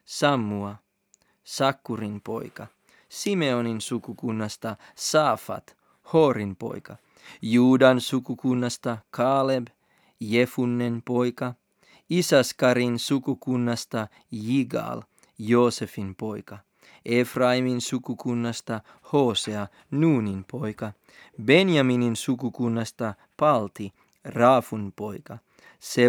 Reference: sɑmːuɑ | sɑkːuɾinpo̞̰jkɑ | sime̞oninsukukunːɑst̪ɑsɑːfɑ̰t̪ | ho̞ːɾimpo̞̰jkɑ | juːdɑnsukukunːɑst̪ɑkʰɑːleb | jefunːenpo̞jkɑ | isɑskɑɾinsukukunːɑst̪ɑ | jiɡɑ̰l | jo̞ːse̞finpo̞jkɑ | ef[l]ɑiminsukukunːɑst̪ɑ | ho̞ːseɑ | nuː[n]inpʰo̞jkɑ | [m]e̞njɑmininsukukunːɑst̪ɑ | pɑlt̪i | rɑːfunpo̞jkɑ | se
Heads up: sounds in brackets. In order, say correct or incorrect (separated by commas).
incorrect, correct, incorrect